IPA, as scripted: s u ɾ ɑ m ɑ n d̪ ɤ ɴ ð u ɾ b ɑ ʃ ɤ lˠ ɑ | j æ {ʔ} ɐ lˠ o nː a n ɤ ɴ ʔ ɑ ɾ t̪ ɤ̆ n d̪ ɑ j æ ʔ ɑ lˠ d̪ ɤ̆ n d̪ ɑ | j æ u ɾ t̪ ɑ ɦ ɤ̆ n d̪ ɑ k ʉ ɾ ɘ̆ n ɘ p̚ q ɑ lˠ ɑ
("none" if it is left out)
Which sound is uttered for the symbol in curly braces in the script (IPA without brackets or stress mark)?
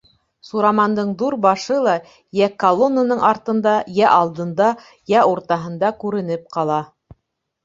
k